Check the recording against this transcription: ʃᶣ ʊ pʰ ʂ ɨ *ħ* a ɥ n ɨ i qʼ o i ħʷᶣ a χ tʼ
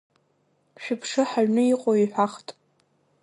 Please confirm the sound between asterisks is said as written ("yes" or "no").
yes